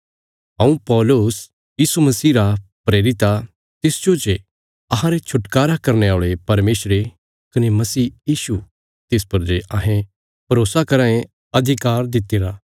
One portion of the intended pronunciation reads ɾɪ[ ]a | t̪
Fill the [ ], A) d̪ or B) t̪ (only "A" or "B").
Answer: B